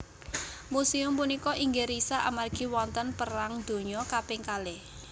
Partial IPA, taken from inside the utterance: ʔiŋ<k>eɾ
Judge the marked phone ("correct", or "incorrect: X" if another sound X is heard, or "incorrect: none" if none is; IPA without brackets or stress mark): incorrect: ɡ